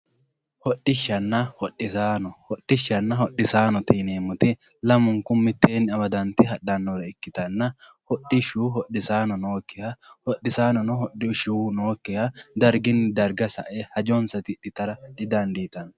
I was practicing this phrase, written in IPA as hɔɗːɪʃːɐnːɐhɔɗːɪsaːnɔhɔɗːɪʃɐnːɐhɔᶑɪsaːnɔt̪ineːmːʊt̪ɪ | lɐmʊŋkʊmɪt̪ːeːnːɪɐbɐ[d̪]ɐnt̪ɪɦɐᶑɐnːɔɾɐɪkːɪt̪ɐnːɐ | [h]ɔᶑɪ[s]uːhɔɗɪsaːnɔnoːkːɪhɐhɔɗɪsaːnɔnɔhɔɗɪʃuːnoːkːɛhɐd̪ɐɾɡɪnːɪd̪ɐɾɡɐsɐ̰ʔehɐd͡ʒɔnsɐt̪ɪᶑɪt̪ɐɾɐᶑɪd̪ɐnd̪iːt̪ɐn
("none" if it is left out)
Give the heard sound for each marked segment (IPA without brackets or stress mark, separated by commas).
d̪, h, ʃ